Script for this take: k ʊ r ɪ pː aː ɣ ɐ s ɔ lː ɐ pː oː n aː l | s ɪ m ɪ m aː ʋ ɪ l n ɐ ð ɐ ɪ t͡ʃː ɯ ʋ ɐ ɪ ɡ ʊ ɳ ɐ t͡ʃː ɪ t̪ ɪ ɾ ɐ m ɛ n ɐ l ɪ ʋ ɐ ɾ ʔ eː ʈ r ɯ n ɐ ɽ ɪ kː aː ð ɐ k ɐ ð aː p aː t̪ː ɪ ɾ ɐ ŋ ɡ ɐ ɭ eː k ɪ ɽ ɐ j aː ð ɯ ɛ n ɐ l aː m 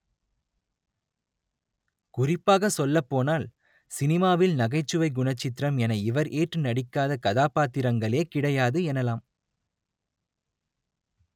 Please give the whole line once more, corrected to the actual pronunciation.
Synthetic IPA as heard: k ʊ r ɪ pː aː ɣ ɐ s ɔ lː ɐ pː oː n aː l | s ɪ n ɪ m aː ʋ ɪ l n ɐ ɣ ɐ ɪ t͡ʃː ɯ ʋ ɐ ɪ ɡ ʊ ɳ ɐ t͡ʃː ɪ t̪ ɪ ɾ ɐ m ɛ n ɐ ɪ ʋ ɐ ɾ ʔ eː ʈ r ɯ n ɐ ɽ ɪ kː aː ð ɐ k ɐ ð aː p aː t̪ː ɪ ɾ ɐ ŋ ɡ ɐ ɭ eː k ɪ ɽ ɐ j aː ð ɯ ɛ n ɐ l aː m